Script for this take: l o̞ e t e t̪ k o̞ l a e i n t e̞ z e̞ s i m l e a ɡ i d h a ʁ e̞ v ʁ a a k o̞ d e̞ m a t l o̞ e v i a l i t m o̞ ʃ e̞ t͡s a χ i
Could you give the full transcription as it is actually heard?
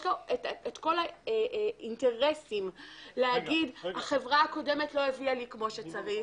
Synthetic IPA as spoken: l o̞ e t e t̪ k o̞ l a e i n t e̞ ʁ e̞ s i m l e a ɡ i d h a χ e̞ v ʁ a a k o̞ d e̞ m e t l o̞ e v i a l i k m o̞ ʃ e̞ t͡s a ʁ i